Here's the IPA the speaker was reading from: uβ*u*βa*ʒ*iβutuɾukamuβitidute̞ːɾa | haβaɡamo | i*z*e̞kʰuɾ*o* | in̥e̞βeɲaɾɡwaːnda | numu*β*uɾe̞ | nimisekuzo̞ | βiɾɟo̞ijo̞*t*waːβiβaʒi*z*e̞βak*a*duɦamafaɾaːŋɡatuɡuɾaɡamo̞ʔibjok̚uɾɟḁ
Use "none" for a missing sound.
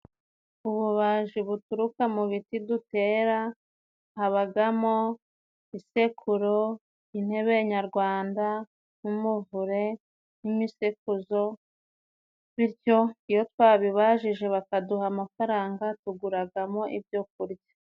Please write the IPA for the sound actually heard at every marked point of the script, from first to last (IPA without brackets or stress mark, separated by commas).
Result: u, ʒ, s, o, v, t, ʒ, a